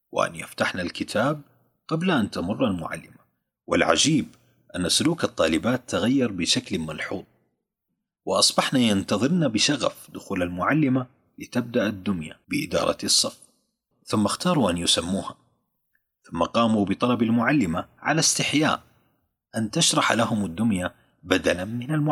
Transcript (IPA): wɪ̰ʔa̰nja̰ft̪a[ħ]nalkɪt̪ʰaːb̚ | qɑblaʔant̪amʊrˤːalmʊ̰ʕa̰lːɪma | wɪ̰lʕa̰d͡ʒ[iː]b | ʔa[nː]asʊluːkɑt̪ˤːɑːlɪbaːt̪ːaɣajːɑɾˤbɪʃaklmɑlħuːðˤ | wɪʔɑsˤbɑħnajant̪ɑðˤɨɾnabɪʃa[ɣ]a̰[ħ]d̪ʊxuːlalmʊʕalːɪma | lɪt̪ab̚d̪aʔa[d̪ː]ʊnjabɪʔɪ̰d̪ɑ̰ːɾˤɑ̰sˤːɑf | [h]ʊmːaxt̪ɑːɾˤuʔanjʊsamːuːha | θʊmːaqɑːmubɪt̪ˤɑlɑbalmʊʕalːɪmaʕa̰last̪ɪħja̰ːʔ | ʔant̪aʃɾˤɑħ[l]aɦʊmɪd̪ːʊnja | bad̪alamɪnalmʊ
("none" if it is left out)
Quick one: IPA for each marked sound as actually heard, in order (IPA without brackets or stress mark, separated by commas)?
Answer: ħ, iː, nː, ɣ, f, d̪ː, θ, l